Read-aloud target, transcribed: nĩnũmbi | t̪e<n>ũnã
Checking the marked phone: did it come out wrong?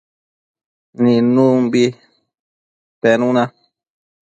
no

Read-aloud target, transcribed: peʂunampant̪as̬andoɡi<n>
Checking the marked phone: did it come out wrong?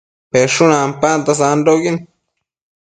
no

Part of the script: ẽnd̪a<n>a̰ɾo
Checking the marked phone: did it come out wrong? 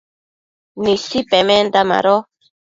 yes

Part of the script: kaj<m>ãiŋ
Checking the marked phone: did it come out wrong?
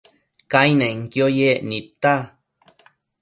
yes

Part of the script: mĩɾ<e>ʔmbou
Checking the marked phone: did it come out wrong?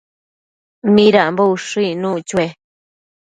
yes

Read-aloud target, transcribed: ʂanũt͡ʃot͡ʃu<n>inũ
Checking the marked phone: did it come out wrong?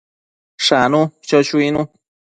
yes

